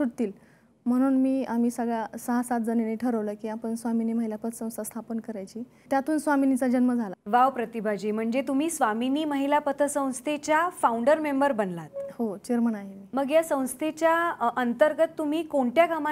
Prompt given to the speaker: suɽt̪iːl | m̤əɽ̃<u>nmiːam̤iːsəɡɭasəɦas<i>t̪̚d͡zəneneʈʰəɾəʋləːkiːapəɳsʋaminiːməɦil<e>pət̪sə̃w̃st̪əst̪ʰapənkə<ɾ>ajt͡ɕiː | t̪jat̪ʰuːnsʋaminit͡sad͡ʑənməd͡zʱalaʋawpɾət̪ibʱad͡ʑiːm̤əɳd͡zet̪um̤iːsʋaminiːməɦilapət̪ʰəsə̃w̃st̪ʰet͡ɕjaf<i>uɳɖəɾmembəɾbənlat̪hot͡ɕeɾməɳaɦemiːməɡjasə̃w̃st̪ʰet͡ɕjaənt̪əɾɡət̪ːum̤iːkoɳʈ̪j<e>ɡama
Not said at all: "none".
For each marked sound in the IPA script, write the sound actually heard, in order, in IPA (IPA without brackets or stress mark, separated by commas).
uː, a, a, ɾ, a, a